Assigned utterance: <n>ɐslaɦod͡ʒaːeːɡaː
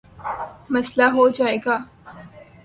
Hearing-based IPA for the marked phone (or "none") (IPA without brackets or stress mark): m